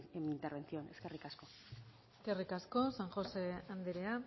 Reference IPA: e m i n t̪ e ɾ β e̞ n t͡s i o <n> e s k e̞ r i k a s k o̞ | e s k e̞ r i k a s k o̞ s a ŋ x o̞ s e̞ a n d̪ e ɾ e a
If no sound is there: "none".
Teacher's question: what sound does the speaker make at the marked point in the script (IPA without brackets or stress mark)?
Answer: n